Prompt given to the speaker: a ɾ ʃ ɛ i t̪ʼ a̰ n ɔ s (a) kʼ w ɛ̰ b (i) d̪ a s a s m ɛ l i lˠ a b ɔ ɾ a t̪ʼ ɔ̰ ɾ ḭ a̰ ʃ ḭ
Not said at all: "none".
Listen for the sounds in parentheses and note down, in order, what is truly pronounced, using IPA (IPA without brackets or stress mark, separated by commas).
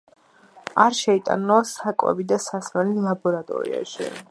a, i